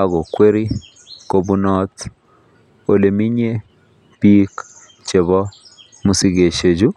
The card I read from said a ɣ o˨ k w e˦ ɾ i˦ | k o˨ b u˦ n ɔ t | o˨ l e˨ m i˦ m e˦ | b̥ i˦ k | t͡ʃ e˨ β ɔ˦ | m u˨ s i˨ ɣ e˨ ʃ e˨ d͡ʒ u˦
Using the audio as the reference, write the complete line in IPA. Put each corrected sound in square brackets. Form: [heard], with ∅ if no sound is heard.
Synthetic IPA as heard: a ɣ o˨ k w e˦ ɾ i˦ | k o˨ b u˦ n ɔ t | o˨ l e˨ m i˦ [ɲ] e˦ | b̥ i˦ k | t͡ʃ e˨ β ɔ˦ | m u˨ s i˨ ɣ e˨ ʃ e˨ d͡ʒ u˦

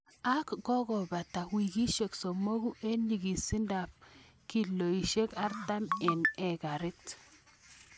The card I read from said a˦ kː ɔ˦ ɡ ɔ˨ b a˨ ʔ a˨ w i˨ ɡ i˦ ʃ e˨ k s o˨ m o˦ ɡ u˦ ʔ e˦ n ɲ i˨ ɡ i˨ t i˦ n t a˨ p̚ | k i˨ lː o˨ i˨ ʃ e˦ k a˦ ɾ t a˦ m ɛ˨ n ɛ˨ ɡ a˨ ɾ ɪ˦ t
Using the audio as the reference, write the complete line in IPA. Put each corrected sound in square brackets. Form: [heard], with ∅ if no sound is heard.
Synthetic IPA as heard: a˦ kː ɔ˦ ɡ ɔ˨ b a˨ [t] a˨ w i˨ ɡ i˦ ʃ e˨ k s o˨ m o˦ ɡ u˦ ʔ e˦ n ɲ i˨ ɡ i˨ [s] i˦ n [d] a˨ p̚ | k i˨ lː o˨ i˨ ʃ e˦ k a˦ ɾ t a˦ m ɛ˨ n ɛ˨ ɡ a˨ ɾ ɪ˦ t

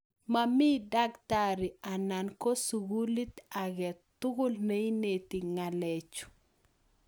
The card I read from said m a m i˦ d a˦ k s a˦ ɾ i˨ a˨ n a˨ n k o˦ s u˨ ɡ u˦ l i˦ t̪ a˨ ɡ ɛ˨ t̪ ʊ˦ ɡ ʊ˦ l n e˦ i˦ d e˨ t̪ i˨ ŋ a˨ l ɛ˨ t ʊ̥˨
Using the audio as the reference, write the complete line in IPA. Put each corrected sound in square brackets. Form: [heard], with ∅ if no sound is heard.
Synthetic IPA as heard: m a m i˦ d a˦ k [t] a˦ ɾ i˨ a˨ n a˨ n k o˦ s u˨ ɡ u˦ l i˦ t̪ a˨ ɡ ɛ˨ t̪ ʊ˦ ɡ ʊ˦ l n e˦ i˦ [n] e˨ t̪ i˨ ŋ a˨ l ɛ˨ [t͡ʃ] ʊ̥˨

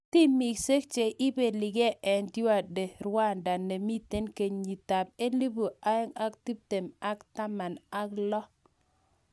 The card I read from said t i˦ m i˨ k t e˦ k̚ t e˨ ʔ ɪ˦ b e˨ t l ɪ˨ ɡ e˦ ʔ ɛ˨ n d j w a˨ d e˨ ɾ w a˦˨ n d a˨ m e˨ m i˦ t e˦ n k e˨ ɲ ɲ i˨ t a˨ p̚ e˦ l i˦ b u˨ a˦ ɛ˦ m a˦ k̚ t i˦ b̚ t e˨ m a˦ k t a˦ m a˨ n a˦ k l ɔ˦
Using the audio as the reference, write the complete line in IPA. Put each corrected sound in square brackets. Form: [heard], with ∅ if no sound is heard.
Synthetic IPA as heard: t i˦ m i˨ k [s] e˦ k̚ [t͡ʃ] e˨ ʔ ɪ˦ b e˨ [∅] l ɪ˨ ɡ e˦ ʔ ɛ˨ n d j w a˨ d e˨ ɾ w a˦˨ n d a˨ [n] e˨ m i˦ t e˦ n k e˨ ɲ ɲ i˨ t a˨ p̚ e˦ l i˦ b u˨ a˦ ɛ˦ [ŋ] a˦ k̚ t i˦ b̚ t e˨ m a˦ k t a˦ m a˨ n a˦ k l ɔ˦

